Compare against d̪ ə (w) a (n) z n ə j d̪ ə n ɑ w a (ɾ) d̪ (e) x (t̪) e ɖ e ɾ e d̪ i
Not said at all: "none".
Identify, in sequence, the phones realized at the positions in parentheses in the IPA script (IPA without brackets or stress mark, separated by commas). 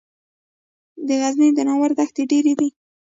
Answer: ɣ, none, ɾ, a, t̪